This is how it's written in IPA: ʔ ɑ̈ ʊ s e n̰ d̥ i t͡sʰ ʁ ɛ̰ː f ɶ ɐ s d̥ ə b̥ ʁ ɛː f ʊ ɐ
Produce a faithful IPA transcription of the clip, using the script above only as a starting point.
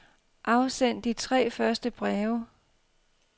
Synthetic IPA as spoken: ʔ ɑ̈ ʊ s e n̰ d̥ i t͡sʰ ʁ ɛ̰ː f ɶ ɐ s d̥ ə b̥ ʁ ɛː ʊ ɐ